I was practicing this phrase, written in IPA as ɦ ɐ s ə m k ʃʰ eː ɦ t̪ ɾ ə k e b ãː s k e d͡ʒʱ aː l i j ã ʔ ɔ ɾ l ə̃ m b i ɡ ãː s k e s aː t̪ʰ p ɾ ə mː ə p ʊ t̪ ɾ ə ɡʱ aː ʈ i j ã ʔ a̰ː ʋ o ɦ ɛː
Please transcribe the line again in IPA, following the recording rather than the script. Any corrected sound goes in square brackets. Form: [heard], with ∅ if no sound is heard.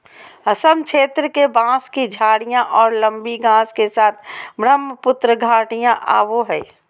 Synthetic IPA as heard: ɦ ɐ s ə m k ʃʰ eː [∅] t̪ ɾ ə k e b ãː s k [i] d͡ʒʱ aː [ɽ] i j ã ʔ [ɔː] ɾ l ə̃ m b i ɡ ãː s k e s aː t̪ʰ [b] ɾ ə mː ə p ʊ t̪ ɾ ə ɡʱ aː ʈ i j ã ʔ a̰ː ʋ o ɦ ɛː